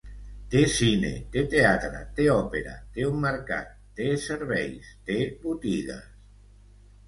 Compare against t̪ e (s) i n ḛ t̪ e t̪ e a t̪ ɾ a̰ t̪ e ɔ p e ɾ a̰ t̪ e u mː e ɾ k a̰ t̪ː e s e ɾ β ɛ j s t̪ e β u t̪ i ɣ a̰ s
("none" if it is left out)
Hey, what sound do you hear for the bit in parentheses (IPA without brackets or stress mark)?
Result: s